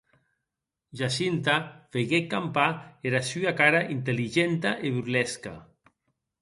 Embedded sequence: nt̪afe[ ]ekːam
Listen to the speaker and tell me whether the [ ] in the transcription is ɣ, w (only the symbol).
ɣ